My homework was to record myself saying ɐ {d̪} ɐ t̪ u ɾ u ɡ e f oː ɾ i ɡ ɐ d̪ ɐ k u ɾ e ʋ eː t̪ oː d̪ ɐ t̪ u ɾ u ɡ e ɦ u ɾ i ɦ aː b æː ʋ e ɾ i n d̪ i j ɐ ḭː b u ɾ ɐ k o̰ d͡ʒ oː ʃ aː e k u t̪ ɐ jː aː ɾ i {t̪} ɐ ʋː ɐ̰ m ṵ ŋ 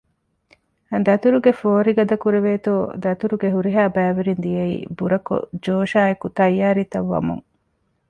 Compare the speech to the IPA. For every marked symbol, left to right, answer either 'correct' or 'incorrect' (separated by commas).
correct, correct